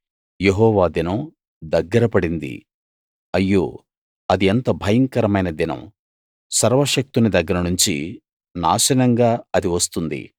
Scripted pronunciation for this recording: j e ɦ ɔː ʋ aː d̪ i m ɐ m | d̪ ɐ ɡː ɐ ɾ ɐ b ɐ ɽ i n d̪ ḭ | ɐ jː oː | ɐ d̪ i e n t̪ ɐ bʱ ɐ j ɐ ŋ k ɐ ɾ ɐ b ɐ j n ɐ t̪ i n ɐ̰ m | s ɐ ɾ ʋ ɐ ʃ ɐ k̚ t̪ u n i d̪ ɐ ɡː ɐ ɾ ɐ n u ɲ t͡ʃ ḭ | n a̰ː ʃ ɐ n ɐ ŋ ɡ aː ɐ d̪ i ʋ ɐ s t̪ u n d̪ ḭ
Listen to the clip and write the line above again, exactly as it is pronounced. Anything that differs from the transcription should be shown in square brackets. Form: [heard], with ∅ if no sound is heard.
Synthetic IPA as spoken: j e ɦ ɔː ʋ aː d̪ i [n] ɐ m | d̪ ɐ ɡː ɐ ɾ ɐ [p] ɐ ɽ i n d̪ ḭ | ɐ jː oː | ɐ d̪ i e n t̪ ɐ bʱ ɐ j ɐ ŋ k ɐ ɾ ɐ [m] ɐ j n ɐ [d̪] i n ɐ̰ m | s ɐ ɾ ʋ ɐ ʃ ɐ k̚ t̪ u n i d̪ ɐ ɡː ɐ ɾ ɐ n u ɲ t͡ʃ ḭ | n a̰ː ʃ ɐ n ɐ ŋ ɡ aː ɐ d̪ i ʋ ɐ s t̪ u n d̪ ḭ

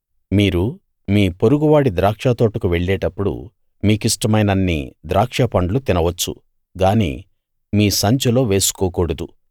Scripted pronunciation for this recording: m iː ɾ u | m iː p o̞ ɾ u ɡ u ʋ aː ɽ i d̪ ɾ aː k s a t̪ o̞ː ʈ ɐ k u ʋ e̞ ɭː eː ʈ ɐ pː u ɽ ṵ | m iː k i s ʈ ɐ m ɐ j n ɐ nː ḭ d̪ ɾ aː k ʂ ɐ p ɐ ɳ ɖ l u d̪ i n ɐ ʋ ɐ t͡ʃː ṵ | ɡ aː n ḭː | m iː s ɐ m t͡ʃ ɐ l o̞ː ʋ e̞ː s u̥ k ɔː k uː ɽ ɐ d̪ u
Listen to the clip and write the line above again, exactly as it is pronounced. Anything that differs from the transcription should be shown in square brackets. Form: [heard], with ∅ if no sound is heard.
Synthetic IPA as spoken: m iː ɾ u | m iː p o̞ ɾ u ɡ u ʋ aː ɽ i d̪ ɾ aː k [ʂ] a t̪ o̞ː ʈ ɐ k u ʋ e̞ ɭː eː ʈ ɐ pː u ɽ ṵ | m iː k i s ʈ ɐ m ɐ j n ɐ nː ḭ d̪ ɾ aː k ʂ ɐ p ɐ ɳ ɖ l u [t̪] i n ɐ ʋ ɐ t͡ʃː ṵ | ɡ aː n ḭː | m iː s ɐ [ɲ] t͡ʃ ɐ l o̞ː ʋ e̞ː s u̥ k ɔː k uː ɽ ɐ d̪ u

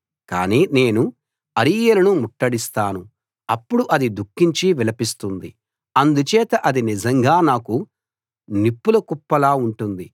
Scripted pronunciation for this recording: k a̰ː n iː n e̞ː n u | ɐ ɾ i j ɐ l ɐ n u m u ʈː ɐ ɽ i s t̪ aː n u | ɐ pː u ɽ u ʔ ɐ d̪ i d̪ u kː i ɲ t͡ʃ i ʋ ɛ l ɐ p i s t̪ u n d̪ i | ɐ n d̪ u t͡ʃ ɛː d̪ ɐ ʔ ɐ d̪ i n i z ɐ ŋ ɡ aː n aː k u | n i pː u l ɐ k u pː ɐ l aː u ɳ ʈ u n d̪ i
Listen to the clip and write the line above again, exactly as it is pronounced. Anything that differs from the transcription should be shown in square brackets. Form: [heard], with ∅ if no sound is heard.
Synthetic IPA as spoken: k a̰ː n iː n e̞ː n u | ɐ ɾ i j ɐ l ɐ n u m u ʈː ɐ ɽ i s t̪ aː n u | ɐ pː u ɽ u ʔ ɐ d̪ i d̪ u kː i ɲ t͡ʃ i ʋ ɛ l ɐ p i s t̪ u n d̪ i | ɐ n d̪ u t͡ʃ ɛː [t̪] ɐ ʔ ɐ d̪ i n i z ɐ ŋ ɡ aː n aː k u | n i pː u l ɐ k u pː ɐ l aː u ɳ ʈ u n d̪ i

